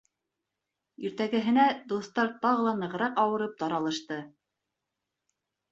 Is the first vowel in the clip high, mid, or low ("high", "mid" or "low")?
high